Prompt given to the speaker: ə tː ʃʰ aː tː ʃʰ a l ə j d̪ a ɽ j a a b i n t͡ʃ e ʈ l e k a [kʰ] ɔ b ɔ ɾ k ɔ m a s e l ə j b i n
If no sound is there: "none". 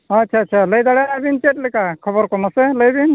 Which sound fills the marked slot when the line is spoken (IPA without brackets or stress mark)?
kʰ